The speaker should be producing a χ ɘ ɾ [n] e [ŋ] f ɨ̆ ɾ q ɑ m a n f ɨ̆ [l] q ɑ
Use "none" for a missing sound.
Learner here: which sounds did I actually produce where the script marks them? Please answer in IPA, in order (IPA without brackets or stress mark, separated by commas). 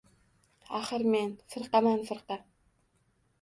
m, n, ɾ